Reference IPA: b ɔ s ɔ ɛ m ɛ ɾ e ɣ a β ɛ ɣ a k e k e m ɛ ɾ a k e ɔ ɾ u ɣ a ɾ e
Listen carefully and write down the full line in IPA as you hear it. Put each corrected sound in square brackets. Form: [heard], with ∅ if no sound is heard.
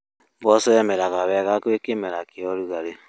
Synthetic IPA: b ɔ s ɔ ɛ m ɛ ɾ [a] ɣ a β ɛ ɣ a k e k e m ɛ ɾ a k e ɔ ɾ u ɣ a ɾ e